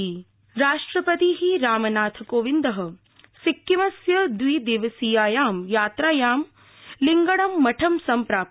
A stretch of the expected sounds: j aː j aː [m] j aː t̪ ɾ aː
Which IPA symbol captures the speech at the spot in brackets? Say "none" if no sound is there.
m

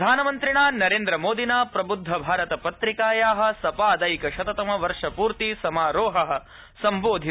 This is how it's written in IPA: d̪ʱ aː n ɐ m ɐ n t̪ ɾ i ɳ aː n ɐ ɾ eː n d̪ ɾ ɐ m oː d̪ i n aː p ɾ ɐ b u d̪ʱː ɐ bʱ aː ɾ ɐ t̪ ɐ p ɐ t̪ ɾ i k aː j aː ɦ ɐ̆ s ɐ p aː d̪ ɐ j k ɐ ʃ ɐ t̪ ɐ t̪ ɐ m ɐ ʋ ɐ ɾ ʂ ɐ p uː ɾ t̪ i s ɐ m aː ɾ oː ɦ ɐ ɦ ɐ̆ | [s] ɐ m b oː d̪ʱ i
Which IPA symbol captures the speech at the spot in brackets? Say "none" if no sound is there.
s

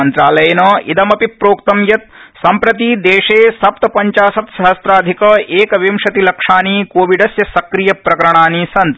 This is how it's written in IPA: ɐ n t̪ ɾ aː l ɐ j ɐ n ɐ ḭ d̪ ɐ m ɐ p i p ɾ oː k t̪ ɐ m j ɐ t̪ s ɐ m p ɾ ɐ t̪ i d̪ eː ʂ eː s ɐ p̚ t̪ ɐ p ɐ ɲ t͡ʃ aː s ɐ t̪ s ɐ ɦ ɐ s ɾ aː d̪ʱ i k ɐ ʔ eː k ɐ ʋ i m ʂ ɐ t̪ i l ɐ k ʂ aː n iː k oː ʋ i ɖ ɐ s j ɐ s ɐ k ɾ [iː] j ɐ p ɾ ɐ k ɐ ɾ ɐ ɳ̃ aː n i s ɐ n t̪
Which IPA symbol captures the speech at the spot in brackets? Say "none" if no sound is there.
i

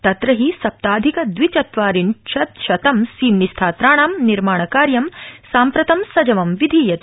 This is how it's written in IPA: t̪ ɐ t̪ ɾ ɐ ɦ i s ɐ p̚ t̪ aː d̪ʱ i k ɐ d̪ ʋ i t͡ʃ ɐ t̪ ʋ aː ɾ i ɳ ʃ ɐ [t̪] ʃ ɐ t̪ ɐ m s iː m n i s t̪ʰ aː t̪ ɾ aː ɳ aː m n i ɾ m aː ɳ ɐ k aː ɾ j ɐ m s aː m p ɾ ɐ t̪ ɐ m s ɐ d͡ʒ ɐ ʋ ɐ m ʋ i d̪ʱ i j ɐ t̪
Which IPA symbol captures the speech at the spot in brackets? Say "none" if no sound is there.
t̪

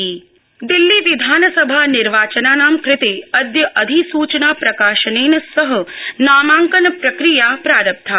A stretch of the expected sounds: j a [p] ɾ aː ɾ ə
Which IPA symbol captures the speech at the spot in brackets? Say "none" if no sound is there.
p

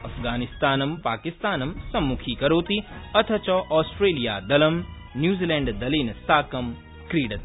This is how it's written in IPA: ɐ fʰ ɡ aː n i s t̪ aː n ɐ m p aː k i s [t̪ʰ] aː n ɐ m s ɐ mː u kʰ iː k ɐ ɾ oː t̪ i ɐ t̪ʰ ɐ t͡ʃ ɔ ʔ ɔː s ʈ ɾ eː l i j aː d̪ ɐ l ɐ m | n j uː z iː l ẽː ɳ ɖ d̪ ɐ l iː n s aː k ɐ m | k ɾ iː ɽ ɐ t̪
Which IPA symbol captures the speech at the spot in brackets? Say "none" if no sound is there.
t̪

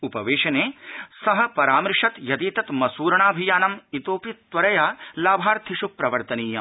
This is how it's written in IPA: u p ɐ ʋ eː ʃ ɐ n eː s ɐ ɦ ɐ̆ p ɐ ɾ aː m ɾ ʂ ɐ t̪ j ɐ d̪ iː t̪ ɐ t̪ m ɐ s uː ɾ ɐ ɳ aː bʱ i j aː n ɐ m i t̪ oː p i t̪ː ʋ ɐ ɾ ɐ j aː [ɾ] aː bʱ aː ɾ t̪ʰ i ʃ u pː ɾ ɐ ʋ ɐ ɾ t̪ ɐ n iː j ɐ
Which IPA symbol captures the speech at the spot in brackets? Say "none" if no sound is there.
l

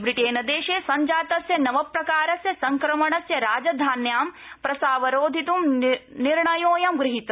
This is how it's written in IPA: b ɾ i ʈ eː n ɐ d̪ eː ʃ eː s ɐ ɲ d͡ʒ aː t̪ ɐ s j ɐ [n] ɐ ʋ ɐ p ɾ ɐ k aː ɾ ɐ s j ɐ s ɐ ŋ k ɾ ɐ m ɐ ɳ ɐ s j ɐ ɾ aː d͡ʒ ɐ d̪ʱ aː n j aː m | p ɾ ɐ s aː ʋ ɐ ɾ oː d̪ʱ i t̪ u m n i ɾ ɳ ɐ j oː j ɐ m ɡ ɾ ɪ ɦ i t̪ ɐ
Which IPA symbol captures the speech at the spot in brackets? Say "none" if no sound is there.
n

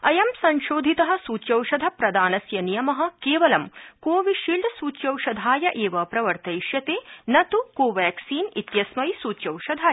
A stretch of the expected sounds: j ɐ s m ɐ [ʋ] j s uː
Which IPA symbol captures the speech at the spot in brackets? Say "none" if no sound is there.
none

